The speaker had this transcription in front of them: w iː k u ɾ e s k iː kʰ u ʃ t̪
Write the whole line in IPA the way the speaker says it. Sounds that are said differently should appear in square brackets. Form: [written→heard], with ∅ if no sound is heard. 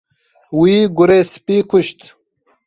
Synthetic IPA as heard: w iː [k→ɡ] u ɾ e s [k→p] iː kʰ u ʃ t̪